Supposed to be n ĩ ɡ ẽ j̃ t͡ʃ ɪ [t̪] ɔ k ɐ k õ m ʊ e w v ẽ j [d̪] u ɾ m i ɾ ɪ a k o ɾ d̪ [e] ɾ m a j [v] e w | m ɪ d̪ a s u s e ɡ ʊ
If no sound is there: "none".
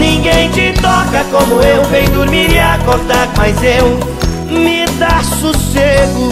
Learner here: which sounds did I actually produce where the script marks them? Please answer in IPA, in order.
t̪, d̪, a, z

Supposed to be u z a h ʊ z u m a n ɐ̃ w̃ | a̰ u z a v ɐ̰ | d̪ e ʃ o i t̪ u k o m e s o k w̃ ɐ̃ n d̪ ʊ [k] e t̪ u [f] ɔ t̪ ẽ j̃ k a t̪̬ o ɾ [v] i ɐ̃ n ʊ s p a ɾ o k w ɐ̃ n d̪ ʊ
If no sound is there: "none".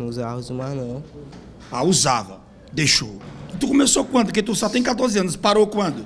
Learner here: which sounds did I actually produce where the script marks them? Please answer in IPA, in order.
k, s, z

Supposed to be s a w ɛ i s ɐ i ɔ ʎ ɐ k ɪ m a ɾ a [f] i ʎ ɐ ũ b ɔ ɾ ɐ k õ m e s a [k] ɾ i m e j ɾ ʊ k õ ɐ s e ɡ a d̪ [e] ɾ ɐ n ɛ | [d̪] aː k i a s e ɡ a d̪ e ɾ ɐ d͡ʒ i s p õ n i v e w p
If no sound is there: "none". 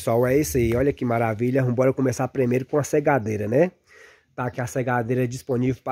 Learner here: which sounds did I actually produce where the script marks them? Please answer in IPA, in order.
v, p, e, t̪

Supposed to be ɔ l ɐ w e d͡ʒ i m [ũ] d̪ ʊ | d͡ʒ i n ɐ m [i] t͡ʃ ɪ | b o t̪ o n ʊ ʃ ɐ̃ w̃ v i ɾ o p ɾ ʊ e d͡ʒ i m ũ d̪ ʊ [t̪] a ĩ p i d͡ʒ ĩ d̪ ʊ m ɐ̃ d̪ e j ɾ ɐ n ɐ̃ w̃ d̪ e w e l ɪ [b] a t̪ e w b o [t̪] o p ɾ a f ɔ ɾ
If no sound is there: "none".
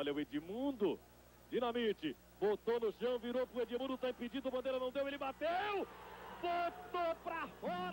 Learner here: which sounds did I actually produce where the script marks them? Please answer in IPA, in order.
ũ, i, t̪, b, t̪

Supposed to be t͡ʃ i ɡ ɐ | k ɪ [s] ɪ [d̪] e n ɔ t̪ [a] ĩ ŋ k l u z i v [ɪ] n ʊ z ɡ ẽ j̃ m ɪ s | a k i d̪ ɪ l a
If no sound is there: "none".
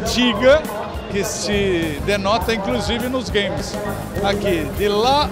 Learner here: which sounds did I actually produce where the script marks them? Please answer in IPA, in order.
s, d̪, ɐ, ɪ

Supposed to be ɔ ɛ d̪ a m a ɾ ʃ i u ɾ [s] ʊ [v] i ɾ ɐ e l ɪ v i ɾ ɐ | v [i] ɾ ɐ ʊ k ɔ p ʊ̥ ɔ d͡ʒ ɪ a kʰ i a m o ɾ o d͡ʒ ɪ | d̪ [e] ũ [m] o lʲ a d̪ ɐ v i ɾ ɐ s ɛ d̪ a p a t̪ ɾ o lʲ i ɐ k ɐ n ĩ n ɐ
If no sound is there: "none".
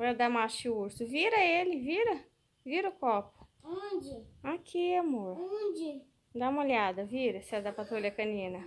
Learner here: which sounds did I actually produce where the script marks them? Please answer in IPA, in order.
s, v, i, a, m

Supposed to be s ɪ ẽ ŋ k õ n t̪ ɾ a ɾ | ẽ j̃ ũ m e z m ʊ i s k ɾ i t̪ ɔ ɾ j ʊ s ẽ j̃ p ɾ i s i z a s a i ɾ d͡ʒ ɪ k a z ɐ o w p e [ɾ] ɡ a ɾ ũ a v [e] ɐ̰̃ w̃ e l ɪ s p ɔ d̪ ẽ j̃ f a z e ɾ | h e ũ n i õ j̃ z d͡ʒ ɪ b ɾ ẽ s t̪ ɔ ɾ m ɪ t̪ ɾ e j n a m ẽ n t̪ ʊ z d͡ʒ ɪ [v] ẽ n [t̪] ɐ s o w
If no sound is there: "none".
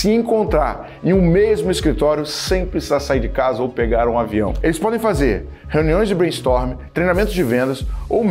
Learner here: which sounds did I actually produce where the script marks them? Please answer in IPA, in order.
none, i, v, d̪

